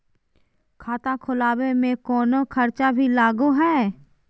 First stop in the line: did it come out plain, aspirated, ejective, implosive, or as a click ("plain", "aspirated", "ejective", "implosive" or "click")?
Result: aspirated